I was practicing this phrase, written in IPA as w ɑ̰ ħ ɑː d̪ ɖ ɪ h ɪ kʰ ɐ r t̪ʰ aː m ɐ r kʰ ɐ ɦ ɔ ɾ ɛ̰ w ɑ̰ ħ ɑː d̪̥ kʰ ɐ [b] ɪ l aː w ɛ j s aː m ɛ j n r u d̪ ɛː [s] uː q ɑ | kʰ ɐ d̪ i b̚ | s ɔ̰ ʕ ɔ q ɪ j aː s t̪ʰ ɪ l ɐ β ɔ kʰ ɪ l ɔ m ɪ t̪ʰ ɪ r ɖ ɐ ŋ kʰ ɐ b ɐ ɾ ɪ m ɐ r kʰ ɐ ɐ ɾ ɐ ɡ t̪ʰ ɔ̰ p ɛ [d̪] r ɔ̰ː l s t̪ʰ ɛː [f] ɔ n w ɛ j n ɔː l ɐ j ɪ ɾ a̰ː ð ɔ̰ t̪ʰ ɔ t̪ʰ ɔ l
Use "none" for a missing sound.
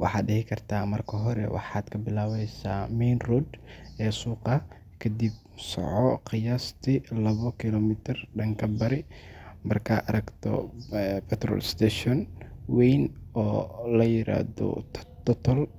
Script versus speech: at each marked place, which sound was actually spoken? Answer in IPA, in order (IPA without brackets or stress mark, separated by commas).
b, s, t̪, ʃ